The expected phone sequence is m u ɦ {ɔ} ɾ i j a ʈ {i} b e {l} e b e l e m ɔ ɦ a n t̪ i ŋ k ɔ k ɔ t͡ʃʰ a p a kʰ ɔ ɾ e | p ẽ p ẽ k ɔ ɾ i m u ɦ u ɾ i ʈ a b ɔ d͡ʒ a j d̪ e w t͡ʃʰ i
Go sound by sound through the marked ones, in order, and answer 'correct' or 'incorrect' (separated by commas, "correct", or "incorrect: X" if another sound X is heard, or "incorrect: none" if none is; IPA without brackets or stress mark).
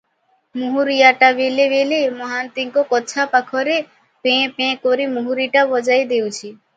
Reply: incorrect: u, incorrect: a, correct